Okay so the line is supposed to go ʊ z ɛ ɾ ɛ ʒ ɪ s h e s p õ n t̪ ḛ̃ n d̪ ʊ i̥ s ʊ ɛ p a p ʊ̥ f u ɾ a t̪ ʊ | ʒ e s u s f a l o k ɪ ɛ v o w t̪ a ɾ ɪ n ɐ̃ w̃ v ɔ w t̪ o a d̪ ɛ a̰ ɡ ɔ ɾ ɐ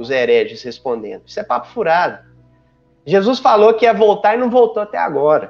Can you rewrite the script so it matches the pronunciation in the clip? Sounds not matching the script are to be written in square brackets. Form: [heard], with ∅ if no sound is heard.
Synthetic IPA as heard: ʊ z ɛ ɾ ɛ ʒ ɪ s h e s p õ n [d̪] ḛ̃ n d̪ ʊ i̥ s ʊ ɛ p a p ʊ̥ f u ɾ a [d̪] ʊ | ʒ e [z] u s f a l o k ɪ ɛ v o w t̪ a ɾ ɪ n ɐ̃ w̃ v [o] w t̪ o a [t̪] ɛ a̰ ɡ ɔ ɾ ɐ